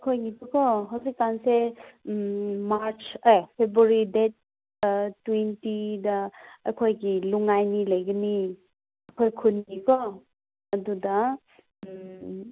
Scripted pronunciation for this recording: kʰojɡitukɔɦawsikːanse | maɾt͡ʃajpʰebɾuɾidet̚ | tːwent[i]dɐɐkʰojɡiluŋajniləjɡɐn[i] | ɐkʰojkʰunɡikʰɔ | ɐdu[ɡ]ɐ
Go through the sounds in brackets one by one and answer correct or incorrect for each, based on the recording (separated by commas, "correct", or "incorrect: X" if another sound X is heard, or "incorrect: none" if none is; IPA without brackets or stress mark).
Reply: correct, correct, incorrect: d